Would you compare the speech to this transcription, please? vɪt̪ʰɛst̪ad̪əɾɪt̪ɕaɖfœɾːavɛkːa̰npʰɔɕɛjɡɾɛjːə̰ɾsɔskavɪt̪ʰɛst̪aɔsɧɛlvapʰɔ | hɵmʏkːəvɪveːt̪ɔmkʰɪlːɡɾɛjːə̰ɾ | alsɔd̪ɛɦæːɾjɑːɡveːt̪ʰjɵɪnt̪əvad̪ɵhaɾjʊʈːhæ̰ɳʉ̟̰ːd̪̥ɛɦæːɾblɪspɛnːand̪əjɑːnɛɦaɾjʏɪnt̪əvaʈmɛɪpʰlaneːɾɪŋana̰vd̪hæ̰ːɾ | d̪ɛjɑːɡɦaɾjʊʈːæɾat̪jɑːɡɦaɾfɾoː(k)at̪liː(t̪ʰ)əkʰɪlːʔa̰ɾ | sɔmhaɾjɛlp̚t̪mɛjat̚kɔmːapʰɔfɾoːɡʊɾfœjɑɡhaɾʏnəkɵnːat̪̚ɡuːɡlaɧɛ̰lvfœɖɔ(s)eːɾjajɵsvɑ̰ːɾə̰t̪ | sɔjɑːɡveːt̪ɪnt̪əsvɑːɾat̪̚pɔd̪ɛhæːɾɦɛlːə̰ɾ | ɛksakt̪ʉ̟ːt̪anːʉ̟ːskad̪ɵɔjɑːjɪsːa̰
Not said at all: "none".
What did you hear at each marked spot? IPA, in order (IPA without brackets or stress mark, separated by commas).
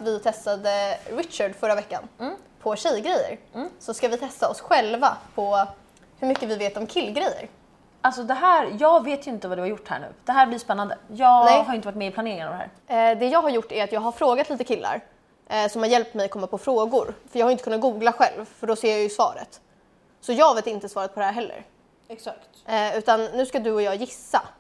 ɡ, t̪, s